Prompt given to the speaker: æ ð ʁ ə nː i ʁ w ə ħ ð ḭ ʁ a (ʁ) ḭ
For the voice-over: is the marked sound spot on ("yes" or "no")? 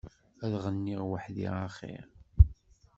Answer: no